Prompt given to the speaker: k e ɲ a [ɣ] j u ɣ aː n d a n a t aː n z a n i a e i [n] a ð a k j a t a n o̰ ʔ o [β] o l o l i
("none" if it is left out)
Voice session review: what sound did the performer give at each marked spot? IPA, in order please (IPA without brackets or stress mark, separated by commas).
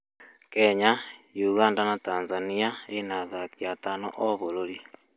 none, n, β